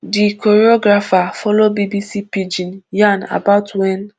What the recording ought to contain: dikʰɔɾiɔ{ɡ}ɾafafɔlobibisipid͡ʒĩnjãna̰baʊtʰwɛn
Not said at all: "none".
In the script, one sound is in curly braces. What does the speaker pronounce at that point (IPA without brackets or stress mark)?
ɡ